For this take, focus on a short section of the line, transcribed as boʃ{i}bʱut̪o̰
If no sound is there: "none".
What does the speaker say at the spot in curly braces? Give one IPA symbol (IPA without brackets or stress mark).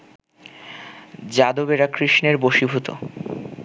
i